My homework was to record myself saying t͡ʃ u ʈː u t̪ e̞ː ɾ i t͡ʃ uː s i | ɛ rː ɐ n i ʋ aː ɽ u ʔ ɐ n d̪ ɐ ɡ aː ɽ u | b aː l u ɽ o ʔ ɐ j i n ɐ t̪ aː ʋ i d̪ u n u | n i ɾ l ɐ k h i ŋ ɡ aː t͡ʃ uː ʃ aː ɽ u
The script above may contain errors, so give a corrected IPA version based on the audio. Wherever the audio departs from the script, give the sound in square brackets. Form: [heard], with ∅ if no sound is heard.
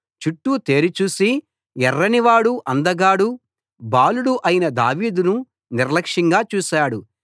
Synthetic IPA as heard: t͡ʃ u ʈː u t̪ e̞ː ɾ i t͡ʃ uː s i | ɛ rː ɐ n i ʋ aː ɽ u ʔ ɐ n d̪ ɐ ɡ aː ɽ u | b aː l u ɽ [u] ʔ ɐ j i n ɐ [d̪] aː ʋ [iː] d̪ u n u | n i ɾ l ɐ k [ʂ] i ŋ ɡ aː t͡ʃ uː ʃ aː ɽ u